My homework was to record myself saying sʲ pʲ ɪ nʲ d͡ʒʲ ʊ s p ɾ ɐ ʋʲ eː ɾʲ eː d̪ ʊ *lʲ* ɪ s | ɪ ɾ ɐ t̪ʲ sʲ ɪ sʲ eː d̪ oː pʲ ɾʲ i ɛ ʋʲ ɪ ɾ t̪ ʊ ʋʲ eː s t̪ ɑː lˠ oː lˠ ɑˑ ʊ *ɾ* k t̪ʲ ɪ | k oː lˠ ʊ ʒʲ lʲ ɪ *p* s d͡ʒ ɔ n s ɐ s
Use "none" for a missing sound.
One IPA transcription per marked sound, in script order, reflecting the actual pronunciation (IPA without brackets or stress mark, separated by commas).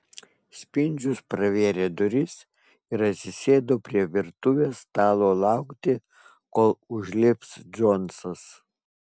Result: ɾʲ, none, p